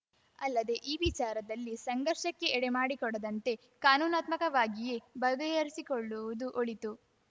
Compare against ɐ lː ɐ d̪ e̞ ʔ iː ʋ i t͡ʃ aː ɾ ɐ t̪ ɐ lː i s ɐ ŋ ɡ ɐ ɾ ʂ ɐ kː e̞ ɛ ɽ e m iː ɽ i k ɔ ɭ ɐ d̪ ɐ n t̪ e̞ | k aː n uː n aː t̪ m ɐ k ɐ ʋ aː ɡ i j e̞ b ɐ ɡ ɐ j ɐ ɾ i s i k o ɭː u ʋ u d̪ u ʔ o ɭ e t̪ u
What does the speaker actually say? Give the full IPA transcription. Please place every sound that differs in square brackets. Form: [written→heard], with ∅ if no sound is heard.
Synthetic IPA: ɐ lː ɐ d̪ e̞ ʔ iː ʋ i t͡ʃ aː ɾ ɐ [t̪→d̪] ɐ lː i s ɐ ŋ ɡ ɐ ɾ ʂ ɐ kː e̞ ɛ ɽ e m [iː→aː] ɽ i k ɔ [ɭ→ɽ] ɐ d̪ ɐ n t̪ e̞ | k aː n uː n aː t̪ m ɐ k ɐ ʋ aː ɡ i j e̞ b ɐ ɡ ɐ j ɐ ɾ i s i k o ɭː u ʋ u d̪ u ʔ o ɭ [e→i] t̪ u